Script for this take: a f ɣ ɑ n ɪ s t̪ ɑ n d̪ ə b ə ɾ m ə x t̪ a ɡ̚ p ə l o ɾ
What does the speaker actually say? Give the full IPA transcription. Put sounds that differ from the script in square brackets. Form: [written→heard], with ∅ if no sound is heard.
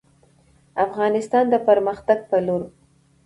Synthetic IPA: a f ɣ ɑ n ɪ s t̪ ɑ n d̪ ə [b→p] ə ɾ m ə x t̪ a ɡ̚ p ə l o ɾ